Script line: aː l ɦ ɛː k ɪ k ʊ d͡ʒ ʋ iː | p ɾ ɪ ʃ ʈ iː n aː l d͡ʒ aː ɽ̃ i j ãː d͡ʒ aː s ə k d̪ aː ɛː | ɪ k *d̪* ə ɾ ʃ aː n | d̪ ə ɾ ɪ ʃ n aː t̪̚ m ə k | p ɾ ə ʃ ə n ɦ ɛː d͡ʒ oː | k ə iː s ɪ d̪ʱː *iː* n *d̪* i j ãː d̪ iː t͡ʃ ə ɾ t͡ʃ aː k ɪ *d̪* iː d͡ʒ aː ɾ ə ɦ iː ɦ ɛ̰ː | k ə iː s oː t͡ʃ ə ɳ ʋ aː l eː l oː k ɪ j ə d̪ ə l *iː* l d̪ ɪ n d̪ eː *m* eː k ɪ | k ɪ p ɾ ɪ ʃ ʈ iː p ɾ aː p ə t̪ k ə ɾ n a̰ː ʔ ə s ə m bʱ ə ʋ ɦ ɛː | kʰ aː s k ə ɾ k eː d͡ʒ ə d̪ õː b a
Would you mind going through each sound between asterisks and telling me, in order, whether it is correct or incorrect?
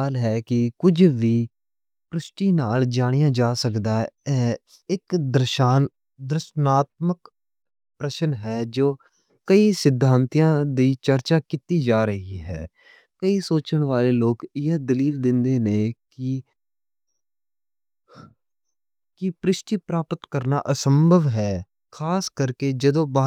correct, incorrect, incorrect, incorrect, correct, incorrect

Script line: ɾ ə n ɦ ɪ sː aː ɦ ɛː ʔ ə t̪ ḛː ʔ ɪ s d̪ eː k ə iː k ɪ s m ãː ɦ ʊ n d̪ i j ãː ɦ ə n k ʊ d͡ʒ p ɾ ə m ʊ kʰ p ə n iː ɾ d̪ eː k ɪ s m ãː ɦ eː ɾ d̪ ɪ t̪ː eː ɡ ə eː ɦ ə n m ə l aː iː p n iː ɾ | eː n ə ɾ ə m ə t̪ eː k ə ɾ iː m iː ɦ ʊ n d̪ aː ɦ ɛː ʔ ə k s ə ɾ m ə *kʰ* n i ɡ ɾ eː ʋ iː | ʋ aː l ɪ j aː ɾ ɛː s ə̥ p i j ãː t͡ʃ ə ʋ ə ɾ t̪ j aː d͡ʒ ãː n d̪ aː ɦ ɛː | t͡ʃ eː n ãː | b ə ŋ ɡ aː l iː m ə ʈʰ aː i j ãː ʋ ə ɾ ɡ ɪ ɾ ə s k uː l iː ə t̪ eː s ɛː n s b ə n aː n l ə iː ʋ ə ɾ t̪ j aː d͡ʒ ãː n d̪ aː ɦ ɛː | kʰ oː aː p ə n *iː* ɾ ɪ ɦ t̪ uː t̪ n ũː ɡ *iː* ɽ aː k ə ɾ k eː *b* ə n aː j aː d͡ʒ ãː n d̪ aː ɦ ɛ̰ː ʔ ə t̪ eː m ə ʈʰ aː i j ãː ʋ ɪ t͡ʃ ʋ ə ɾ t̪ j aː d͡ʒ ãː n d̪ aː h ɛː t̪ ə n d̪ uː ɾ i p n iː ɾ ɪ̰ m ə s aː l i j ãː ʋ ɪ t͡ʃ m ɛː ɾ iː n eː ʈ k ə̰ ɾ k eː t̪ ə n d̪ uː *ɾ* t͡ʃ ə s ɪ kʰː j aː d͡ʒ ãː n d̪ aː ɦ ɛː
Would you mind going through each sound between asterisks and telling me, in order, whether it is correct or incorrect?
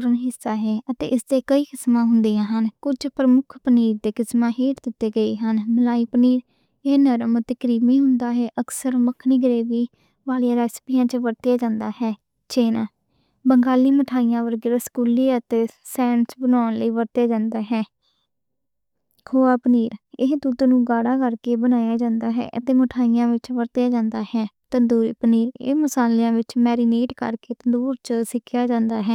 correct, correct, incorrect, correct, correct

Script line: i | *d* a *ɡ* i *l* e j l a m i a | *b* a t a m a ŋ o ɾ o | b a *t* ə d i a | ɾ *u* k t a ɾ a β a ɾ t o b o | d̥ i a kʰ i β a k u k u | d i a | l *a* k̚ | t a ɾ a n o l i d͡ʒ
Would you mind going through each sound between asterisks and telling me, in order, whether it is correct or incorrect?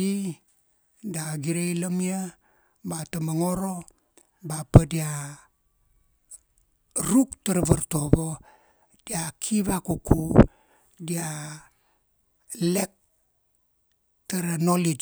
correct, correct, incorrect, correct, incorrect, correct, incorrect

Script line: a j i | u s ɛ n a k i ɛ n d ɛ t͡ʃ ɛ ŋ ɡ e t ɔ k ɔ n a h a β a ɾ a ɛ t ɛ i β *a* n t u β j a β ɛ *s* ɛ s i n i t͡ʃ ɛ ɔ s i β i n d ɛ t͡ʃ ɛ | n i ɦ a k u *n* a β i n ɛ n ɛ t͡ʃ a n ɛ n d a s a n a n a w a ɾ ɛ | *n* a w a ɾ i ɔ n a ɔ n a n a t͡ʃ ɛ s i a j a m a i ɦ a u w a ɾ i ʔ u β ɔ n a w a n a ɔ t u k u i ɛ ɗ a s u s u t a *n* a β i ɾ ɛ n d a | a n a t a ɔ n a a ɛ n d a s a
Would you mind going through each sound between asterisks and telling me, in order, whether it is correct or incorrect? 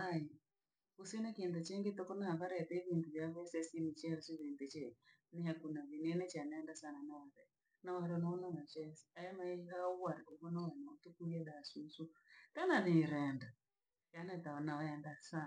incorrect, correct, correct, correct, correct

